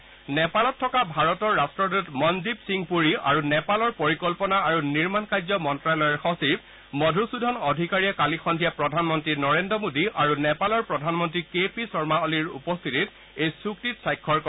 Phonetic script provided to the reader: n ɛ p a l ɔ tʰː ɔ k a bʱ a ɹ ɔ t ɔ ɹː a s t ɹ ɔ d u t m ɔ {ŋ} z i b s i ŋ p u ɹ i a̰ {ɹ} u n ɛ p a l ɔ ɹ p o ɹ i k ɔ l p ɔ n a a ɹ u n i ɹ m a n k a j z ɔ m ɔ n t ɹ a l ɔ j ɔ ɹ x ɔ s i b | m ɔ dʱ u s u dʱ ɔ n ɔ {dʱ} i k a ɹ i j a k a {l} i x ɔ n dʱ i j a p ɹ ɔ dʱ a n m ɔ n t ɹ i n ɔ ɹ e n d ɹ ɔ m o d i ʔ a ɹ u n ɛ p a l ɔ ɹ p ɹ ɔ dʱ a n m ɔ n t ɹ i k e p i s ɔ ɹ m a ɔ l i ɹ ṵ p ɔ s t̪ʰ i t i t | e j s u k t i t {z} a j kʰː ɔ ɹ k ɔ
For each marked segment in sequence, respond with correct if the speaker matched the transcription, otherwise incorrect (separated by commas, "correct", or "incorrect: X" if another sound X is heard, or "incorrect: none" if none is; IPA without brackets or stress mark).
incorrect: n, correct, correct, correct, incorrect: s